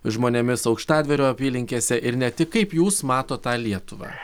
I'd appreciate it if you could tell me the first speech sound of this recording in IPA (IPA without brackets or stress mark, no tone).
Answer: ʒ